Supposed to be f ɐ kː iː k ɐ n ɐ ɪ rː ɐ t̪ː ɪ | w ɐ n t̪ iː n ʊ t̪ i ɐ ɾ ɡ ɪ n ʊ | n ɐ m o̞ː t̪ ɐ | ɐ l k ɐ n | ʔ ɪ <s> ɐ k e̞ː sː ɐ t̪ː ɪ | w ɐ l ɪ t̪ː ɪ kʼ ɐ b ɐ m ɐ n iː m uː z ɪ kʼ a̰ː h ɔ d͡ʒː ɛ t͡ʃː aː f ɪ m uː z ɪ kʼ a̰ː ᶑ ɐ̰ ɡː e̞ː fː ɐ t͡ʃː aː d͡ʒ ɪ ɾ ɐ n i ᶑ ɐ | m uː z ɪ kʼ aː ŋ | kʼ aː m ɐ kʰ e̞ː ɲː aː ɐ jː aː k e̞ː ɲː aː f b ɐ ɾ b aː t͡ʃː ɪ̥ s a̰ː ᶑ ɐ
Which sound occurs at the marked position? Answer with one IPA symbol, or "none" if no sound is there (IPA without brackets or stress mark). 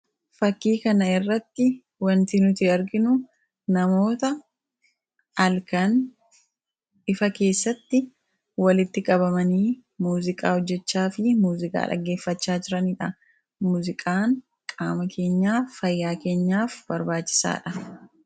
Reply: f